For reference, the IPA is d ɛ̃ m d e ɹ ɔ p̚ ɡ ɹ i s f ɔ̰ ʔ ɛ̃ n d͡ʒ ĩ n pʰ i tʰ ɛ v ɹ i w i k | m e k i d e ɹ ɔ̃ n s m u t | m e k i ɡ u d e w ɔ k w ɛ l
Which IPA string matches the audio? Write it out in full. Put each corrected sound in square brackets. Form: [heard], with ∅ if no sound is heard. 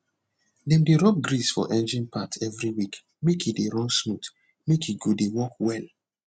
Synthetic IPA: d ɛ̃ m d e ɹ ɔ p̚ ɡ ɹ i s f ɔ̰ ʔ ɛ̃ n d͡ʒ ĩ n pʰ [a] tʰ ɛ v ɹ i w i k | m e k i d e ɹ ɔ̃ n s m u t | m e k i ɡ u d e w ɔ k w ɛ l